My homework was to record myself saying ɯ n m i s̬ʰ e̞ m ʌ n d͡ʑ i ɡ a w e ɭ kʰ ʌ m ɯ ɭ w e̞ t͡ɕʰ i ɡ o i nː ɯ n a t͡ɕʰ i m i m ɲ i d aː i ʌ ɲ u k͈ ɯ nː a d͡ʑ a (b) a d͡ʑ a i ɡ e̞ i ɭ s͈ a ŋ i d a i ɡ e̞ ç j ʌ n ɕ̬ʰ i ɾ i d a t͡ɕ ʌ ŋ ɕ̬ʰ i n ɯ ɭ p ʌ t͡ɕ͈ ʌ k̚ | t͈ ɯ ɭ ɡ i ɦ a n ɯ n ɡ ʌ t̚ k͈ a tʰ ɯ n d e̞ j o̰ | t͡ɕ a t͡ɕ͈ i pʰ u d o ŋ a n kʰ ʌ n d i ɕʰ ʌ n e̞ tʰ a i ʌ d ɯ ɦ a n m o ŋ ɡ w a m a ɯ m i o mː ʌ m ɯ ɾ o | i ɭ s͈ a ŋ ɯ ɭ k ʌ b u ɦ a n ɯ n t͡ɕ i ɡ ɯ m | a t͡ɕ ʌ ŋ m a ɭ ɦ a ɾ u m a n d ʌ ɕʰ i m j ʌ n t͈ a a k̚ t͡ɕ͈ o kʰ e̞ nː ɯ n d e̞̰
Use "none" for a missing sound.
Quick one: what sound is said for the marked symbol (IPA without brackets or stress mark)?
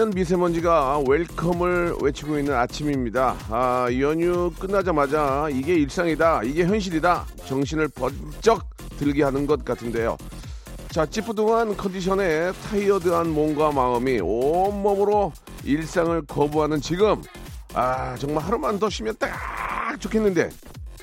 m